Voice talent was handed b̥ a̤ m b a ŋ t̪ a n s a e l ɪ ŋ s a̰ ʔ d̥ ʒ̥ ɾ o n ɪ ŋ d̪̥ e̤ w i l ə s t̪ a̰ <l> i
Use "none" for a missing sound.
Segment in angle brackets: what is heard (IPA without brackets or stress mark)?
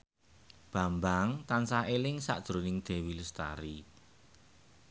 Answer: ɾ